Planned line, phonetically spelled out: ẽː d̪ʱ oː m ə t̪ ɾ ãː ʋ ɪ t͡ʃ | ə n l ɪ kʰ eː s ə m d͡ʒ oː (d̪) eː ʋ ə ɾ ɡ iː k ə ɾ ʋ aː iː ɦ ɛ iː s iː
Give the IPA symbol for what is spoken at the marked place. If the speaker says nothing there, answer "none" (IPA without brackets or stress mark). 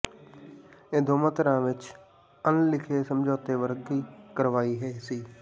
t̪